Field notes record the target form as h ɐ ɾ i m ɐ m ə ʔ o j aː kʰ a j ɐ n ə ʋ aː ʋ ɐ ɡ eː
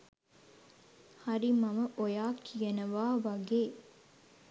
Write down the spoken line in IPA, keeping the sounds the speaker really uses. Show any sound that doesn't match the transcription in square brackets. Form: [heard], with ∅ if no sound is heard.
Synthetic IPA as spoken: h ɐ ɾ i m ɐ m ə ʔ o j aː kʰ [i] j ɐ n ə ʋ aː ʋ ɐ ɡ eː